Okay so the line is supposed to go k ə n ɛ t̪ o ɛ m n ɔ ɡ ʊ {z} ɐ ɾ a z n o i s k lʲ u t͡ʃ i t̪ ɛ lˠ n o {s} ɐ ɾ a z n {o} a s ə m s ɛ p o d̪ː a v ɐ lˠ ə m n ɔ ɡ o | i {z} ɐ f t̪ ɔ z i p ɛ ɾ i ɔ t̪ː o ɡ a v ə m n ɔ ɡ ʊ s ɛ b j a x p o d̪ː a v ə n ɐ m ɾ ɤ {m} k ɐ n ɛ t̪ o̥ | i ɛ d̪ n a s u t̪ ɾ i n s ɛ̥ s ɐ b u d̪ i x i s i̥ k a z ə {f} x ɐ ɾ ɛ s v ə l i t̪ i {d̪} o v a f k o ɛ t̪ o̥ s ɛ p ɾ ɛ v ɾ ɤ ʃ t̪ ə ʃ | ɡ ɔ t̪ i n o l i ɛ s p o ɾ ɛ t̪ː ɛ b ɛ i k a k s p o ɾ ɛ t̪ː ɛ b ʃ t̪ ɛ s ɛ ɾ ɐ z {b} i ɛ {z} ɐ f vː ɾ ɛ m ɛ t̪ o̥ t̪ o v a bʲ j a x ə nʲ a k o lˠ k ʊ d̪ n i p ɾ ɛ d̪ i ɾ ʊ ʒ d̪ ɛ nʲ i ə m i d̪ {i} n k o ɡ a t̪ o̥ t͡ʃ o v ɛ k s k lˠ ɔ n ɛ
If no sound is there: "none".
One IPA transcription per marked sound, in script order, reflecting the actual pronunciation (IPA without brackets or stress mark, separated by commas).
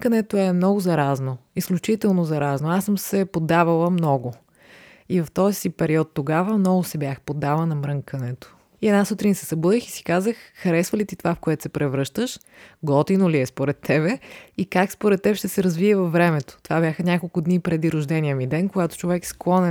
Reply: z, z, o, v, ŋ, x, t̪, v, v, ɛ